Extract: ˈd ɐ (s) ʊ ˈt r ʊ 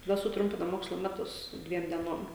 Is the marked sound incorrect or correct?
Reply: correct